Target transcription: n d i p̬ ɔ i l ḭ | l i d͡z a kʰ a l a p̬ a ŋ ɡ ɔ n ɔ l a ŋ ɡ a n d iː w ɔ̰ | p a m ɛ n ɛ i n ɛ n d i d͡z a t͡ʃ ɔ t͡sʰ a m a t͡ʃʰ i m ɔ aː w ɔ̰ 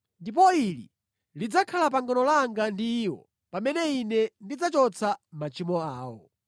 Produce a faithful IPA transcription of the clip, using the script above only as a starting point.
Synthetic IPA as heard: n d i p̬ ɔ i l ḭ | l i d͡z a kʰ a l a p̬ a ŋ ɡ ɔ n ɔ l a ŋ ɡ a n d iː w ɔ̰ | p a m ɛ n ɛ i n ɛ n d i d͡z a t͡ʃ ɔ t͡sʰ a m a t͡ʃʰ i m ɔ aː w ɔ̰